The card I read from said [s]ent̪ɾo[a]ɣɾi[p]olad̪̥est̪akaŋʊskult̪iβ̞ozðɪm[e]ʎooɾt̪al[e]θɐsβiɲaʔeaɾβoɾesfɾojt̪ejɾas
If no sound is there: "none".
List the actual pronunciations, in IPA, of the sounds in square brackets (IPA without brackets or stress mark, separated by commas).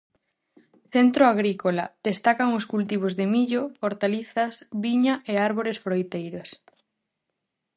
θ, a, k, i, i